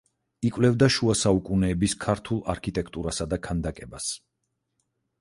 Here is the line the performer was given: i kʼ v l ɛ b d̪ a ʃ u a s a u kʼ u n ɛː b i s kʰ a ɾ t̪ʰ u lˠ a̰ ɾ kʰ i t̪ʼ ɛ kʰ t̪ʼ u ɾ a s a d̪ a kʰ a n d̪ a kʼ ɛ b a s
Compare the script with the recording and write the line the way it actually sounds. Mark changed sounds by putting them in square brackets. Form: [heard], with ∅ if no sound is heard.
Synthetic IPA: i kʼ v l ɛ [v] d̪ a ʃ u a s a u kʼ u n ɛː b i s kʰ a ɾ t̪ʰ u lˠ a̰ ɾ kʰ i t̪ʼ ɛ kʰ t̪ʼ u ɾ a s a d̪ a kʰ a n d̪ a kʼ ɛ b a s